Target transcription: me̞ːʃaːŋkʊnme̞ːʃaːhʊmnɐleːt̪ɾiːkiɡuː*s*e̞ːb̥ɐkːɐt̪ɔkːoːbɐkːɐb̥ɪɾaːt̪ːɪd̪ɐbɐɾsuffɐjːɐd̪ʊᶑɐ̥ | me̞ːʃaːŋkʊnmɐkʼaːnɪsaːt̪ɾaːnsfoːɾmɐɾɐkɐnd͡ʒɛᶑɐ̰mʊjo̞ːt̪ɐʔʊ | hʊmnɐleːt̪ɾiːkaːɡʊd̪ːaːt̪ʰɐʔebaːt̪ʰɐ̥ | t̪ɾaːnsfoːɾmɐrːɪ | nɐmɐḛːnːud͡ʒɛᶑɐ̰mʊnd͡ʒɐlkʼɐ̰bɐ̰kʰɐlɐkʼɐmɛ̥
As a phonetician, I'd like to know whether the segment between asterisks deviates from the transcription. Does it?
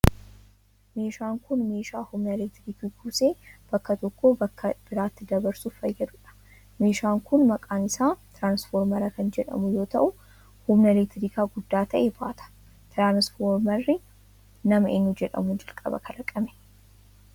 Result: no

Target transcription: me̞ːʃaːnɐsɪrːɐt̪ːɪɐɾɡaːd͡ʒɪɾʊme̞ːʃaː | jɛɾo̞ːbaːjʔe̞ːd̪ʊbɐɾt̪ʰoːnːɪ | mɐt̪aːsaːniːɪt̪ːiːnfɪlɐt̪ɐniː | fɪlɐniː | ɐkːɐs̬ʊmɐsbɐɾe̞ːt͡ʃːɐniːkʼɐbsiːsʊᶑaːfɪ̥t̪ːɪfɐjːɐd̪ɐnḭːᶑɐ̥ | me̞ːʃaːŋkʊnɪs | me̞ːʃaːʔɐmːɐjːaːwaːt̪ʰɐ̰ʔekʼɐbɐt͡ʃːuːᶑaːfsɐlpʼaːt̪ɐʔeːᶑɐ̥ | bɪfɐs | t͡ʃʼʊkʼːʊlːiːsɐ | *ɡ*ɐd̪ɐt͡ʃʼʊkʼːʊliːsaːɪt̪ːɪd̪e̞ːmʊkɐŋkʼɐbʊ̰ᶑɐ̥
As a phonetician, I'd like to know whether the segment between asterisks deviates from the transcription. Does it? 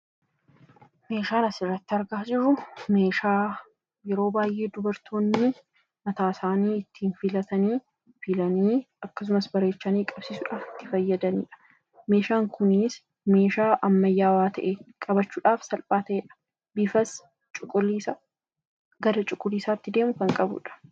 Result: no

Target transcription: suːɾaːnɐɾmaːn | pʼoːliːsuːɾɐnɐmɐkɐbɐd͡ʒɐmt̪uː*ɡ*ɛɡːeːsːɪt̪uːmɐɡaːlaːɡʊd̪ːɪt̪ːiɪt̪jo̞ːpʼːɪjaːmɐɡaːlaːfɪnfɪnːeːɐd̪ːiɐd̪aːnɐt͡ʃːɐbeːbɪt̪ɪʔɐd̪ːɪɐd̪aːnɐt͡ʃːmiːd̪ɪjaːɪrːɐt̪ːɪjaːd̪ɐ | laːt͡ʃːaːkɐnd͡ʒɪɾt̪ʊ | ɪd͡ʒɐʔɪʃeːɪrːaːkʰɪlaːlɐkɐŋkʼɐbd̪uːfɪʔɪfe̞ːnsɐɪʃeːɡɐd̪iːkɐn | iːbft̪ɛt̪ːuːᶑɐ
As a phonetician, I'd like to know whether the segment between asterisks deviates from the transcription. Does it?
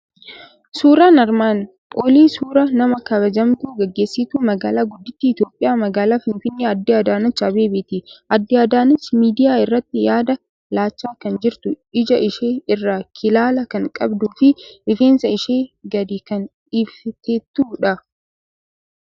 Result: no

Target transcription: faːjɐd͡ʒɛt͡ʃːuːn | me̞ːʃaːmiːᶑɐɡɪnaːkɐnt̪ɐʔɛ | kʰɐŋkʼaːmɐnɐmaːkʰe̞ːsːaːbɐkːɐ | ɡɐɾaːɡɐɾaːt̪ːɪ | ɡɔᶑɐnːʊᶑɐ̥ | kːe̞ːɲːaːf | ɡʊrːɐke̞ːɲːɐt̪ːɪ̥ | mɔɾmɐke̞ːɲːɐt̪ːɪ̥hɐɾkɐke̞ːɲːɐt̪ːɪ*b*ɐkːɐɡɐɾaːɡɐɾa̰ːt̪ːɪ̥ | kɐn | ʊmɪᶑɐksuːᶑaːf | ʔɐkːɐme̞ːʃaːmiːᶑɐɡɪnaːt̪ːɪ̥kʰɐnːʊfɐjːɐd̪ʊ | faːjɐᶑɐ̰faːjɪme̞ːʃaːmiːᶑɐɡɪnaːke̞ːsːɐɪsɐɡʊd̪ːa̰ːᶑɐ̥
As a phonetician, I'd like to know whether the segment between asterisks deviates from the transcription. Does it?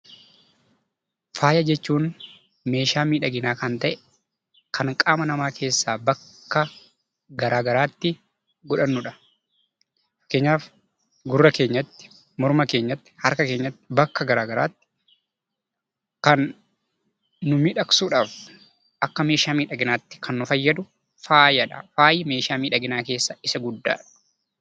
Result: no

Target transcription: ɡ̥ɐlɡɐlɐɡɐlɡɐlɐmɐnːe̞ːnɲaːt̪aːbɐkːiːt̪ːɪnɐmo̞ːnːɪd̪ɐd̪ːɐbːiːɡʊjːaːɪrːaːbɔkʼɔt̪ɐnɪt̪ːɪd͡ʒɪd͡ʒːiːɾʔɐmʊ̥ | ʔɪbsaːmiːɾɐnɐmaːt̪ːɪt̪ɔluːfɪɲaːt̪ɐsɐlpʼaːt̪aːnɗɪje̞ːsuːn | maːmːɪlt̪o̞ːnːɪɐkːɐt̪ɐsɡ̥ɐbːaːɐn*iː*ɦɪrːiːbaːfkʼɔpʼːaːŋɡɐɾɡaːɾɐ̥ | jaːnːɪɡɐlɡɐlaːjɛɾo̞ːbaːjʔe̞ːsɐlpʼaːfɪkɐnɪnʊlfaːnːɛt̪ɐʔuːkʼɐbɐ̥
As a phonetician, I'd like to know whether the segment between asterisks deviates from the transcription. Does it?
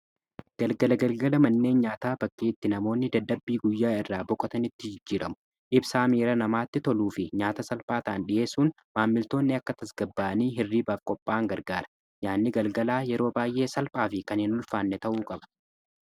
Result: no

